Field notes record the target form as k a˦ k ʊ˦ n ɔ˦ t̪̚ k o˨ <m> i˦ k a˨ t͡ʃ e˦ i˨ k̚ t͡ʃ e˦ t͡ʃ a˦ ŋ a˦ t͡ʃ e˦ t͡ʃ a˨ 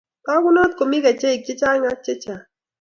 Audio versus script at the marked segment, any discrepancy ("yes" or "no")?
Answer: no